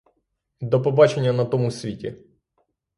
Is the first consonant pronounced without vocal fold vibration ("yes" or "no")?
no